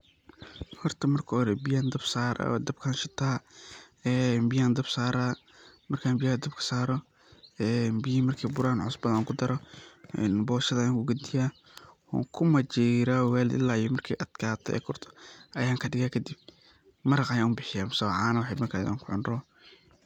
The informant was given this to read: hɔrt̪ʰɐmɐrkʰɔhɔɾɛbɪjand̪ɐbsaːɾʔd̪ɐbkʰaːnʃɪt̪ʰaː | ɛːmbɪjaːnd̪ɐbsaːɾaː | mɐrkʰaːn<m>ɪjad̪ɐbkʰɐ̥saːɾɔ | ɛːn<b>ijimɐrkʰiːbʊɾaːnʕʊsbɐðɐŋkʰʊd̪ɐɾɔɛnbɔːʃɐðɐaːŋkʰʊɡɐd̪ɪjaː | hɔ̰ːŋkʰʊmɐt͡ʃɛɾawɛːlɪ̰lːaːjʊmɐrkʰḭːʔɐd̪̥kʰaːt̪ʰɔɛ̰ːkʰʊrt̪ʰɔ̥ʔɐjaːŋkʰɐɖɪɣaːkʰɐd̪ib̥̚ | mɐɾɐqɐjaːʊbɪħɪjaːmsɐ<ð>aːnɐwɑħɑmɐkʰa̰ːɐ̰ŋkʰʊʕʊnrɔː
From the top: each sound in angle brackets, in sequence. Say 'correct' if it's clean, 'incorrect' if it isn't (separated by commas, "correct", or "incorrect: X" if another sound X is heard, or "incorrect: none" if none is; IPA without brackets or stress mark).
incorrect: b, correct, incorrect: ʕ